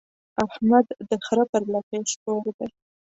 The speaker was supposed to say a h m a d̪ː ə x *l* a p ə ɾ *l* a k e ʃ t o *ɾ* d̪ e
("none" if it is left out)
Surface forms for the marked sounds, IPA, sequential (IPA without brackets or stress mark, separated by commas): ɾ, l, ɾ